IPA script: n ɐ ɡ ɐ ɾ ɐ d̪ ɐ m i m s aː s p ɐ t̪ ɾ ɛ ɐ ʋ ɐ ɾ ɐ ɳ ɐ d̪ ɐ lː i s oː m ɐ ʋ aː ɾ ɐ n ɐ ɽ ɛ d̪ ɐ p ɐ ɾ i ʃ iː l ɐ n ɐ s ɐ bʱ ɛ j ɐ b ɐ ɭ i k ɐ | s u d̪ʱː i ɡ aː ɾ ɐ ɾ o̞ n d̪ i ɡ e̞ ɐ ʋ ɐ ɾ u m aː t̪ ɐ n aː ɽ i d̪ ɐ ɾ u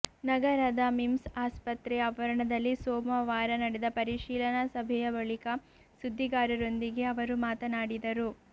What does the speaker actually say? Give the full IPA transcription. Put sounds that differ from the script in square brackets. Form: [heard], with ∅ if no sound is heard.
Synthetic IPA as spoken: n ɐ ɡ ɐ ɾ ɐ d̪ ɐ m i m s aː s p ɐ t̪ ɾ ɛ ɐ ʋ ɐ ɾ ɐ ɳ ɐ d̪ ɐ lː i s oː m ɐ ʋ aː ɾ ɐ n ɐ ɽ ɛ d̪ ɐ p ɐ ɾ i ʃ iː l ɐ n ɐ s ɐ bʱ ɛ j ɐ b ɐ ɭ i k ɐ | s u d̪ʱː i ɡ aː ɾ ɐ ɾ o̞ n d̪ i ɡ e̞ ɐ ʋ ɐ ɾ u m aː t̪ ɐ n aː ɽ i d̪ ɐ ɾ u